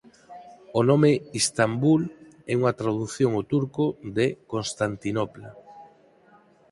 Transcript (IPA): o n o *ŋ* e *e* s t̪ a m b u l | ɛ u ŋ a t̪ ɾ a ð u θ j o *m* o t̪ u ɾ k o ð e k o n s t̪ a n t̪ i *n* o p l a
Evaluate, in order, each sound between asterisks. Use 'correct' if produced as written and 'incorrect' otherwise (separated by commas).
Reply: incorrect, incorrect, incorrect, correct